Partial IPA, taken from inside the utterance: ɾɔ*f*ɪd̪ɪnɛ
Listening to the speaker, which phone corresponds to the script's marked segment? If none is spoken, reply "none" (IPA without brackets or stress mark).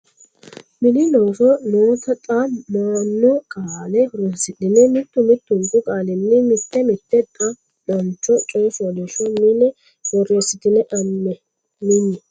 s